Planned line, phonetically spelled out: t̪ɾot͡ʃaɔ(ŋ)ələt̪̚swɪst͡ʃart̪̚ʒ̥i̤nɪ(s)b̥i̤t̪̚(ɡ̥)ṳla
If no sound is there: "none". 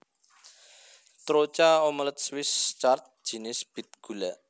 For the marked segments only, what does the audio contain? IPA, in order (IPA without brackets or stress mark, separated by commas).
m, s, ɡ̥